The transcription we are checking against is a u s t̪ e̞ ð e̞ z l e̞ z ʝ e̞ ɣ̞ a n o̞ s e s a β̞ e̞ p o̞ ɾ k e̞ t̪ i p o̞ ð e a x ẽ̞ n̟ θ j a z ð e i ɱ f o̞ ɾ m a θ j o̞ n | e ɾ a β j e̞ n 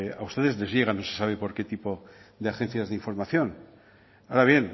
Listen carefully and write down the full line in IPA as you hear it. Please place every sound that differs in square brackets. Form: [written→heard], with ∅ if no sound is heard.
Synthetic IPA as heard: a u s t̪ e̞ ð e̞ z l e̞ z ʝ e̞ ɣ̞ a n o̞ s e s a β̞ e̞ p o̞ ɾ k e̞ t̪ i p o̞ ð e a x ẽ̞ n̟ θ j a z ð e i ɱ f o̞ ɾ m a θ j o̞ n | [e→a] ɾ a β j e̞ n